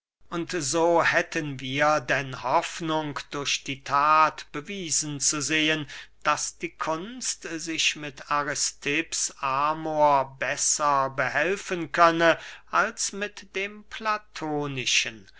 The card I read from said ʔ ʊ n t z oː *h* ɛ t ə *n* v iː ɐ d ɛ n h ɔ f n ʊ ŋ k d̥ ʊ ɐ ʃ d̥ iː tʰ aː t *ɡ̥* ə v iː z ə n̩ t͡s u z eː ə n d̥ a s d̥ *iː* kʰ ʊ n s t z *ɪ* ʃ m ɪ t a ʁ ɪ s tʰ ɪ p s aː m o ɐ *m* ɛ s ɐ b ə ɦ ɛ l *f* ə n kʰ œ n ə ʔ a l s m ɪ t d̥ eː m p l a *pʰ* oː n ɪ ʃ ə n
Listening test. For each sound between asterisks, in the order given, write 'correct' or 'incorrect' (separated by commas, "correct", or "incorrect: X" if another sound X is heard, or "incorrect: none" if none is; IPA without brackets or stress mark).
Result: correct, correct, incorrect: b̥, correct, correct, incorrect: b, correct, incorrect: tʰ